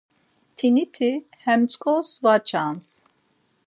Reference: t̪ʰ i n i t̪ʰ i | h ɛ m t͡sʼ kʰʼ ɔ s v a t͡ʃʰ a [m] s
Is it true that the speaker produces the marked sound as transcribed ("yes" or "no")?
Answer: no